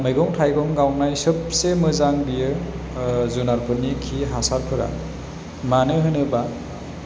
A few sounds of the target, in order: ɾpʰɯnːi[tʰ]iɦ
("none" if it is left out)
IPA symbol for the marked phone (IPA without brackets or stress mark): kʰ